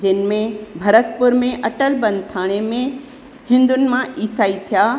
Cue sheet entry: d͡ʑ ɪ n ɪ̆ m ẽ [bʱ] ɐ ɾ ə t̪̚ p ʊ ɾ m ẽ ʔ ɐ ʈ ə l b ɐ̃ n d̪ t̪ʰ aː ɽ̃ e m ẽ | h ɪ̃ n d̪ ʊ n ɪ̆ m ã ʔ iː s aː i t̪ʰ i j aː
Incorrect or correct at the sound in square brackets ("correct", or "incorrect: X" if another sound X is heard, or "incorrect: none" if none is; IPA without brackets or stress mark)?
correct